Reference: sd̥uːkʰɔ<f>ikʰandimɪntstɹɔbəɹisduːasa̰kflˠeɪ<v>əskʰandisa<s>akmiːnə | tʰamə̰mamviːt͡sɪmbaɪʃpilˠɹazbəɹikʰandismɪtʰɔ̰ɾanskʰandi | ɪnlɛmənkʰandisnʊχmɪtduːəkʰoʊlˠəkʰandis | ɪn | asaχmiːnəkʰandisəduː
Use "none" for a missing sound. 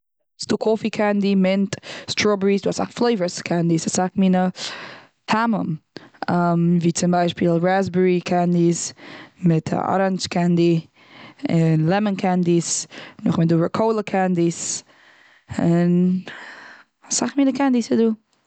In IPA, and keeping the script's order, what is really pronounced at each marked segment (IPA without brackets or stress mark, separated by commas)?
f, v, s